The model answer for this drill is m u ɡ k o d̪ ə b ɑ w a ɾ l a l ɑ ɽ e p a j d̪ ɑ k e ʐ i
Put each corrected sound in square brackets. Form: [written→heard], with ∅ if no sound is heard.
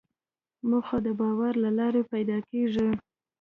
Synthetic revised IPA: m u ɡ [k→x] o d̪ ə b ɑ w a ɾ l a l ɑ [ɽ→ɾ] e p a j d̪ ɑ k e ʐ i